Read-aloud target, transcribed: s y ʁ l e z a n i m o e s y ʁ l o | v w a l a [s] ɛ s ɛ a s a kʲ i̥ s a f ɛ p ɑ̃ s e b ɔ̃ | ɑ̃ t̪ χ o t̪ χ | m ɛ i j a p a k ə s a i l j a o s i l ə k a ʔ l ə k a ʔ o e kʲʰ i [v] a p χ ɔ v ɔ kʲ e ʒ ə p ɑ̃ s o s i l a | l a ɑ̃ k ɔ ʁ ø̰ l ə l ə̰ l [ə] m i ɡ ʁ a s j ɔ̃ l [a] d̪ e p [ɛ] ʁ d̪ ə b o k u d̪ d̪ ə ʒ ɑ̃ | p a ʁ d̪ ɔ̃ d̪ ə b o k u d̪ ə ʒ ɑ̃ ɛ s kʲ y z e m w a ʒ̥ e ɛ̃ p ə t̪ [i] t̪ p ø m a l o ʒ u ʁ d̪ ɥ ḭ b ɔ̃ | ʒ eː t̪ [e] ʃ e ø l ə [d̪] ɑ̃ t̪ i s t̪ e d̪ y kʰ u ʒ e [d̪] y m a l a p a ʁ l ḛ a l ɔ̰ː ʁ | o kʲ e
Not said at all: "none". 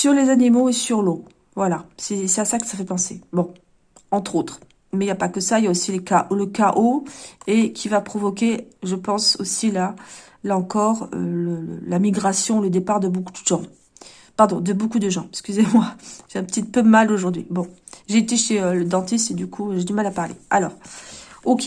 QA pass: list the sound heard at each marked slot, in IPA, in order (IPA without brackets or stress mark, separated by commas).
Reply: s, v, a, ə, a, i, e, d̪, d̪